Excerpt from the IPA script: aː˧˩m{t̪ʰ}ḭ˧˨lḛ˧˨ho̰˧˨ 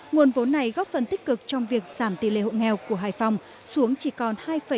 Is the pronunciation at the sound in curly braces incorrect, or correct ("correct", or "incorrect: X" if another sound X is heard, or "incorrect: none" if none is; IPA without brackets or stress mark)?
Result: incorrect: t̪